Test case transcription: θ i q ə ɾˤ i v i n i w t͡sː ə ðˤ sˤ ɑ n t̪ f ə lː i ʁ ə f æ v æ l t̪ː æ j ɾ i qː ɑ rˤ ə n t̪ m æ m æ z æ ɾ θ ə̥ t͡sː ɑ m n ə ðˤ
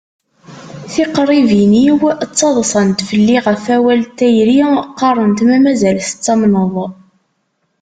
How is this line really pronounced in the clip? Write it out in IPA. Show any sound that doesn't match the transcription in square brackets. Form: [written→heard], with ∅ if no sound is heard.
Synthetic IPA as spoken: θ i q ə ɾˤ i v i n i w t͡sː [ə→ɑ] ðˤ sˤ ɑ n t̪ f ə lː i ʁ ə f æ [v→w] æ l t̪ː æ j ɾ i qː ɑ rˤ ə n t̪ m æ m æ z æ [ɾ→l] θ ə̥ t͡sː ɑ m n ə ðˤ